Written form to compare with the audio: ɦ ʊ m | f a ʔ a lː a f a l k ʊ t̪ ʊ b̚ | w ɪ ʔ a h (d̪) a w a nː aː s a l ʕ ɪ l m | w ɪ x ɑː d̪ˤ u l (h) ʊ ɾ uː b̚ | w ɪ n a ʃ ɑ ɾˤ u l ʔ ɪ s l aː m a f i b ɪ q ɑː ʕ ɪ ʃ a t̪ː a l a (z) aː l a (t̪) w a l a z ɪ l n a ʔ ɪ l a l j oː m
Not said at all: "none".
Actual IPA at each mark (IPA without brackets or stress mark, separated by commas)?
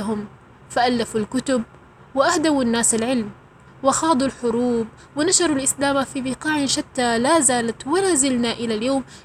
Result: d̪, ħ, z, t̪